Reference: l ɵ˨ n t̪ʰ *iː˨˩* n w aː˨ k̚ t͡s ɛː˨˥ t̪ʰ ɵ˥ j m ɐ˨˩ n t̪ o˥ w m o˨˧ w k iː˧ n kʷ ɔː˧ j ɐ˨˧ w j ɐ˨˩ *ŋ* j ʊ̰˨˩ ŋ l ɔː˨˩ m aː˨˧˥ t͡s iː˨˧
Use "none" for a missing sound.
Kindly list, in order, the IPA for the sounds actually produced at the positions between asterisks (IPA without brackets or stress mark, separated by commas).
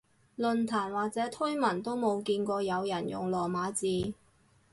aː˨˩, n